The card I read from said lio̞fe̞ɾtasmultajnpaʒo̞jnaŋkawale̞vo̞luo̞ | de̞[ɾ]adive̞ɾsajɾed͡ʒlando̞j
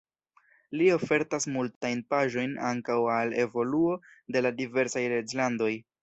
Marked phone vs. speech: incorrect: l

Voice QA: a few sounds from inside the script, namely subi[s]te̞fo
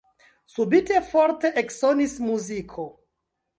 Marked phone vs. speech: incorrect: none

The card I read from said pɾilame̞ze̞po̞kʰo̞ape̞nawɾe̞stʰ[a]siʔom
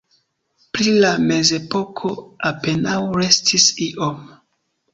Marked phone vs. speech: incorrect: i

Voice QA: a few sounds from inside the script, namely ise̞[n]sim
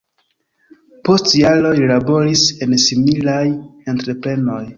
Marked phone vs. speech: correct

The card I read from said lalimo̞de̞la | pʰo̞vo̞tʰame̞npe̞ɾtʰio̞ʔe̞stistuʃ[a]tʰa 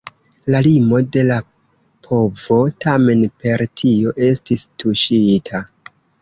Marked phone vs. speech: incorrect: i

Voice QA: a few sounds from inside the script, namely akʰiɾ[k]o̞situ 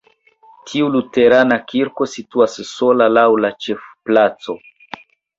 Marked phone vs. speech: correct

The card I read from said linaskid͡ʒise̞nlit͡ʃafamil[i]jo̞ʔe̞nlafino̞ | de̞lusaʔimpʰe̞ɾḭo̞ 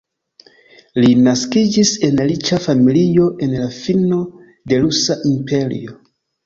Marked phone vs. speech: correct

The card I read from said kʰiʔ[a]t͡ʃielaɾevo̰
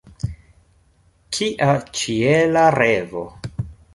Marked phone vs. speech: correct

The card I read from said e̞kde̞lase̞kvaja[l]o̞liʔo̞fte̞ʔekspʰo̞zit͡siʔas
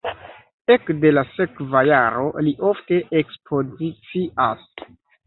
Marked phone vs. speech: incorrect: ɾ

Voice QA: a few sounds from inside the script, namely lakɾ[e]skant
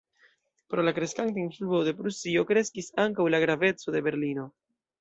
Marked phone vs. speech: correct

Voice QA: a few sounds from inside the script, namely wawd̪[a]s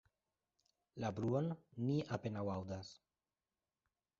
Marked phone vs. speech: correct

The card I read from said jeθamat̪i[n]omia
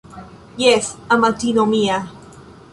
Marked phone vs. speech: correct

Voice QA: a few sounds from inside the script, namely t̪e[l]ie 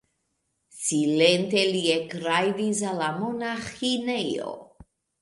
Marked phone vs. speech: correct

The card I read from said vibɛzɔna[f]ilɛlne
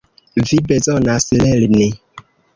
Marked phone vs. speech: incorrect: s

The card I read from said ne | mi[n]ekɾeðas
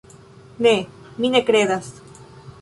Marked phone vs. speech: correct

